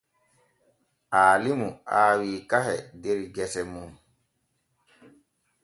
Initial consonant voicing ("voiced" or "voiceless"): voiced